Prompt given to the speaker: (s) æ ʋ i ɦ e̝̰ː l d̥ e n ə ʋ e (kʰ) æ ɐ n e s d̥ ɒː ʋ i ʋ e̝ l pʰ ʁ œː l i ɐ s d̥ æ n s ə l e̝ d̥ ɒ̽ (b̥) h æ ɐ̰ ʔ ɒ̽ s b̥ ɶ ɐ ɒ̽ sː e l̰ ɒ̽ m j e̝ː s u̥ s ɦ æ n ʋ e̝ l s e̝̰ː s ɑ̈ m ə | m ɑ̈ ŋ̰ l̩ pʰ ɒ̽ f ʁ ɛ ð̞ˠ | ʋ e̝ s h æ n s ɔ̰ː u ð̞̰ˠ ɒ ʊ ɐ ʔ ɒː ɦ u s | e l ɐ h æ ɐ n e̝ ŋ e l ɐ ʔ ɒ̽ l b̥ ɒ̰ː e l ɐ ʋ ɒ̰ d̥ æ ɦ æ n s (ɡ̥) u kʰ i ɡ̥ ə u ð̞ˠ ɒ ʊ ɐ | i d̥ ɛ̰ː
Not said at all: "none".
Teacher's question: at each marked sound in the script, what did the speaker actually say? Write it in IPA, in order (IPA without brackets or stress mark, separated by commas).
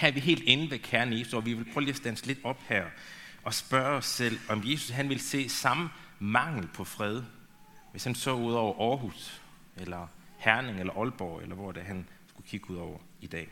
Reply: h, kʰ, b̥, ɡ̥